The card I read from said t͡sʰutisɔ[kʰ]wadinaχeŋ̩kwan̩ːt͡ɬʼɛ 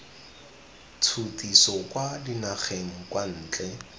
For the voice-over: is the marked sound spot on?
no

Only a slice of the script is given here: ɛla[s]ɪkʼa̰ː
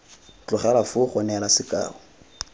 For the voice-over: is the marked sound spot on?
yes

